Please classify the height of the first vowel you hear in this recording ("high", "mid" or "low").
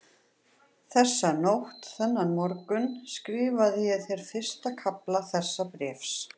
mid